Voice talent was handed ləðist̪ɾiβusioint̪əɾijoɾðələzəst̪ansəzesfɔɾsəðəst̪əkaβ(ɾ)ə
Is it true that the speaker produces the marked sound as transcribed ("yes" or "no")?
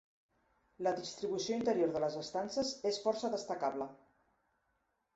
no